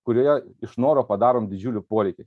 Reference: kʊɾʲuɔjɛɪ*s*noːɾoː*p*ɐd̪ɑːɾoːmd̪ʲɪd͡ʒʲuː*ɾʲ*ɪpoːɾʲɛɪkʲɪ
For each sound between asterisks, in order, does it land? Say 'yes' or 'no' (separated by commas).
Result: no, yes, no